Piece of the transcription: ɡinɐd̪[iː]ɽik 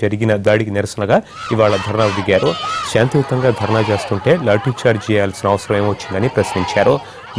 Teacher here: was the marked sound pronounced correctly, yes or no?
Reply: no